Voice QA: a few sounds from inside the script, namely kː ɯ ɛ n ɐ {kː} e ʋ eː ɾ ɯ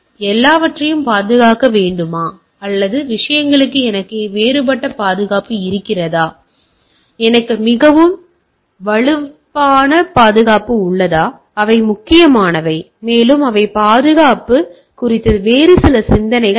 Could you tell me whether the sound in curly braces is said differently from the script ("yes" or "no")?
no